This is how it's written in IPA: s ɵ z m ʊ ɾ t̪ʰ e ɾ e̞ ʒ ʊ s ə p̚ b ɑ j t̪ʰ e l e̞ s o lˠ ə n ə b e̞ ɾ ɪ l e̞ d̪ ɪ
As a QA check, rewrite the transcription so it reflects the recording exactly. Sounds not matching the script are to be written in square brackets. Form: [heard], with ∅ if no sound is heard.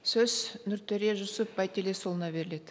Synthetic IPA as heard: s ɵ z [n] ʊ ɾ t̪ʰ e ɾ e̞ ʒ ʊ s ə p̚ b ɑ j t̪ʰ e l e̞ s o lˠ ə n [ɑ] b e̞ ɾ ɪ l e̞ d̪ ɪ